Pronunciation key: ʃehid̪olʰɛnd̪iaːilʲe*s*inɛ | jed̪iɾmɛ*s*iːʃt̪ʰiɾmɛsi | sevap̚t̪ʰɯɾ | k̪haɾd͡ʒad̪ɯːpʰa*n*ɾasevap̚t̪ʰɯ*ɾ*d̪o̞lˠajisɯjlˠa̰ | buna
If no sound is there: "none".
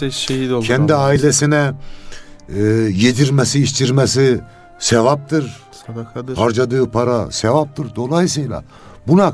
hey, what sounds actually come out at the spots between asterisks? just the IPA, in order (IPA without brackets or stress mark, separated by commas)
s, s, none, ɾ